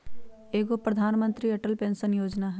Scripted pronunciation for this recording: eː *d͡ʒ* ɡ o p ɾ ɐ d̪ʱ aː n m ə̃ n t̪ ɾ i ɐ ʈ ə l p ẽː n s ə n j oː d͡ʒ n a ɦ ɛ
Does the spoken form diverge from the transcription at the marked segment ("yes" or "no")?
yes